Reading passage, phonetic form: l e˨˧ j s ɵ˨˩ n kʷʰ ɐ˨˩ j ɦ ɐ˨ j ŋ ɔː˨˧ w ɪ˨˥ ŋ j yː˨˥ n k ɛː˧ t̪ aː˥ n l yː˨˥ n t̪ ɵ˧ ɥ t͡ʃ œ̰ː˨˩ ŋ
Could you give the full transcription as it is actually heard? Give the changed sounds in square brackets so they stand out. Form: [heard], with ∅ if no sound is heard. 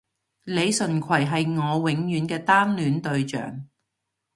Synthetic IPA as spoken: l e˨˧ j s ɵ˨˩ n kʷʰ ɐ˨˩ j ɦ ɐ˨ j ŋ ɔː˨˧ w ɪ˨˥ ŋ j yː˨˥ n k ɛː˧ t̪ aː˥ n l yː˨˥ n t̪ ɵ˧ ɥ t͡ʃ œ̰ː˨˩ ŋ